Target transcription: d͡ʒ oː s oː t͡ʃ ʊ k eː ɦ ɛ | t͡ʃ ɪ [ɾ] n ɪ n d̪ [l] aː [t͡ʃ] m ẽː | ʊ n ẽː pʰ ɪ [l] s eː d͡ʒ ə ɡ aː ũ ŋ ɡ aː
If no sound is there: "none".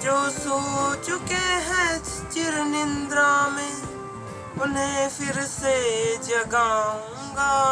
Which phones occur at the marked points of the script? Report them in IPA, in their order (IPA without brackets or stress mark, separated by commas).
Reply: ɾ, ɾ, none, ɾ